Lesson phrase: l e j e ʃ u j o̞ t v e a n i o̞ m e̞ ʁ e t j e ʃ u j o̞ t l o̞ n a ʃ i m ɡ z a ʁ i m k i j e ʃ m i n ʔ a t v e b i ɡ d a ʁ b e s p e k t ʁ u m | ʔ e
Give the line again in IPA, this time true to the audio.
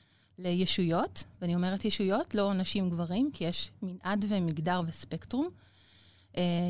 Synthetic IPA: l e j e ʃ u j o̞ t v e a n i o̞ m e̞ ʁ e t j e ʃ u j o̞ t l o̞ n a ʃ i m ɡ v a ʁ i m k i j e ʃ m i n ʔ a d v e m i ɡ d a ʁ v e s p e k t ʁ u m | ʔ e